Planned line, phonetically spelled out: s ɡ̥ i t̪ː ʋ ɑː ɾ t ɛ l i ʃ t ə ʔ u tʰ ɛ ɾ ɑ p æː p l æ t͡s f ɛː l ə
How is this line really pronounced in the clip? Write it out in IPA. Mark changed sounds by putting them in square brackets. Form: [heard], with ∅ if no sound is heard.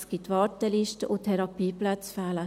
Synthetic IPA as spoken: s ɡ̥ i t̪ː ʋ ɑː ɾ t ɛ l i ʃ t ə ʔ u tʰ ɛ ɾ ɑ p [iː] p l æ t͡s f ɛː l ə